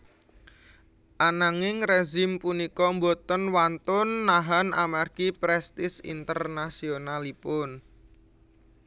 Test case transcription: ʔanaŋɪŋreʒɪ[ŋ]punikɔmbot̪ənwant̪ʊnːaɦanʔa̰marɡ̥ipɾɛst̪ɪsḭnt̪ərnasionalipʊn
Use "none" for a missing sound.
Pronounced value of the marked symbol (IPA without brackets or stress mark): m